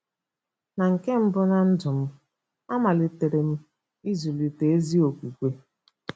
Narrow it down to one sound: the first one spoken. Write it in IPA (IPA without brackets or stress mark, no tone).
n